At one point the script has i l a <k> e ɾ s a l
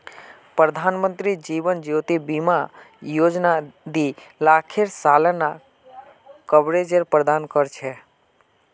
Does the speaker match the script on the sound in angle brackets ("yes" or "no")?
no